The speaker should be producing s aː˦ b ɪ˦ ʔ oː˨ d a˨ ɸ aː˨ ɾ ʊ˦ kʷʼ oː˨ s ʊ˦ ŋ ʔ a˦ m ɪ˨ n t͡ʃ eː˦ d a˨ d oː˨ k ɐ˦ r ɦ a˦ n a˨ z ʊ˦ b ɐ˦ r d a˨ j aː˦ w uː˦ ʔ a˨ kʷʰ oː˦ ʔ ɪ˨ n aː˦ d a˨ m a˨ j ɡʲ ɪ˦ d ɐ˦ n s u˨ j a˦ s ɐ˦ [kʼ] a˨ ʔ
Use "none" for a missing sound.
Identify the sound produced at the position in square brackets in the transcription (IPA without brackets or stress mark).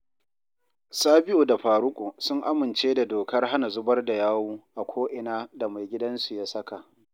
k